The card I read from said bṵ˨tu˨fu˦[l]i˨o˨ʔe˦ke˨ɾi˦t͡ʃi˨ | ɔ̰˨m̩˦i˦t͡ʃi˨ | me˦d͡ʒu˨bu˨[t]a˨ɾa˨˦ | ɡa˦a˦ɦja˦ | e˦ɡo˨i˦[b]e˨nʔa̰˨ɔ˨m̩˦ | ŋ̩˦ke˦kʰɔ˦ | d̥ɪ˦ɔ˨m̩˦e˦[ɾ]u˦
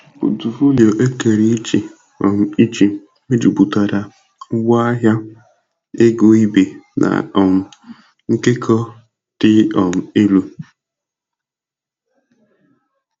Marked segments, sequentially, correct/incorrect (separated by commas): correct, correct, correct, incorrect